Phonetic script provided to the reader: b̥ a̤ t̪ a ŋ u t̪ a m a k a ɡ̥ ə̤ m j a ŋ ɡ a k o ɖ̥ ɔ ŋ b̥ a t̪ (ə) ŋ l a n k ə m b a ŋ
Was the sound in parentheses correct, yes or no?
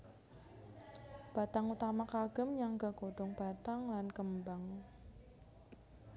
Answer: no